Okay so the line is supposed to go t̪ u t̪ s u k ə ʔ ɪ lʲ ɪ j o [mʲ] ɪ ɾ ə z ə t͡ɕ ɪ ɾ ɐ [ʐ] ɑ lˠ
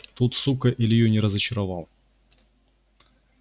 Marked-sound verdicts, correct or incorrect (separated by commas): incorrect, incorrect